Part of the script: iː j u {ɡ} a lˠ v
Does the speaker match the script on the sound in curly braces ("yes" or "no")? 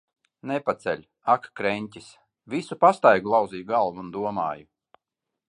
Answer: yes